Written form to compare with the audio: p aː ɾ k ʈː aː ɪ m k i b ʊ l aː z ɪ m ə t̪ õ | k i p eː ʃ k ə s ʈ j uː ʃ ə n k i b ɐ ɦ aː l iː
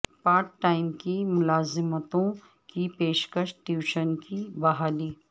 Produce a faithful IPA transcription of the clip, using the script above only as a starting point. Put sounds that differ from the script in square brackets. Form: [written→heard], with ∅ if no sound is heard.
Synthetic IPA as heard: p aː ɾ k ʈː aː ɪ m k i [b→m] ʊ l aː z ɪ m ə t̪ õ | k i p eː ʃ k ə [s→ʃ] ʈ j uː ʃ ə n k i b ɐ ɦ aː l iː